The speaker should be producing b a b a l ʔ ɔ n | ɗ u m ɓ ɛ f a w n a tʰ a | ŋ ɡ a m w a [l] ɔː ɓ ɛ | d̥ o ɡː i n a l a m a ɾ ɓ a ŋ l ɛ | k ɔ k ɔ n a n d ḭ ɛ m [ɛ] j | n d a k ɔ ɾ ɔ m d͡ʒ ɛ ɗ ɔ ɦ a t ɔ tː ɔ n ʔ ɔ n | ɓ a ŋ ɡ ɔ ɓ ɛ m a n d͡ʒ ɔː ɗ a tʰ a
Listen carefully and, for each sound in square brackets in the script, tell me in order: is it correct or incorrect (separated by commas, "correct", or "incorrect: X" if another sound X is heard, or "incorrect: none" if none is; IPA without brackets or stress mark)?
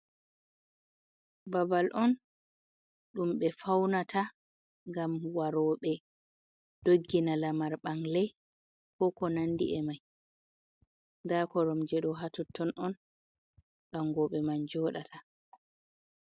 incorrect: ɾ, incorrect: a